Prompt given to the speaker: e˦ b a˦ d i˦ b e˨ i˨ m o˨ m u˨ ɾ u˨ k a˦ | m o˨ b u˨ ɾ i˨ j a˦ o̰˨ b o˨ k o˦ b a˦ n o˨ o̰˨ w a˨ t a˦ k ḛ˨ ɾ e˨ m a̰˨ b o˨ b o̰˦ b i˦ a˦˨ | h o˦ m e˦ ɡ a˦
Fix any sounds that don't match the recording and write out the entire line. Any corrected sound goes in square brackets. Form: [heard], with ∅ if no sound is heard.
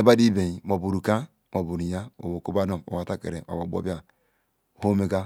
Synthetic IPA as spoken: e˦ b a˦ d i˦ b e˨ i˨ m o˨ [b] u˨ ɾ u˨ k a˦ | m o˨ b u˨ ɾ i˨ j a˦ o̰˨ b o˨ k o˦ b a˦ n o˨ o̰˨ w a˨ t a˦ k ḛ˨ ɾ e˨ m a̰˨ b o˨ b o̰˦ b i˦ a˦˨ | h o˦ m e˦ ɡ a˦